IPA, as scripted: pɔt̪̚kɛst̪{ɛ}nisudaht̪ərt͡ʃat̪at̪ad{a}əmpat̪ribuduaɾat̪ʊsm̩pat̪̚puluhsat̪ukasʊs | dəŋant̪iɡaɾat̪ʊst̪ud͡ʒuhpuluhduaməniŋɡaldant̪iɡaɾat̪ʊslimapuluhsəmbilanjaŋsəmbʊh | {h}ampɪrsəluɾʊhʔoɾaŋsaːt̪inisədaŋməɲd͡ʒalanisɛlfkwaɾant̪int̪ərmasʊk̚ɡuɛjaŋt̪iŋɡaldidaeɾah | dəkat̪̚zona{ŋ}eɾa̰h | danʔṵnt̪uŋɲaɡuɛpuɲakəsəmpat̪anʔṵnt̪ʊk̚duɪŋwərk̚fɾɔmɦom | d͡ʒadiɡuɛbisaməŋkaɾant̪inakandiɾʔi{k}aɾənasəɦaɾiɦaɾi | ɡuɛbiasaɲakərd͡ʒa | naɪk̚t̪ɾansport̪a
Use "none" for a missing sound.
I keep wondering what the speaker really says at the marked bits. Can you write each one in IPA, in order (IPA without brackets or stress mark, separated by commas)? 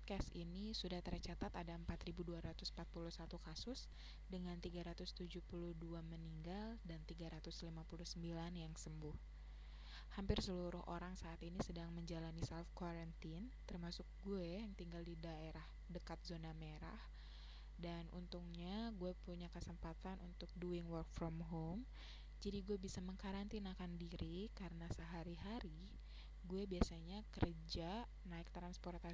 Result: i, a, h, m, k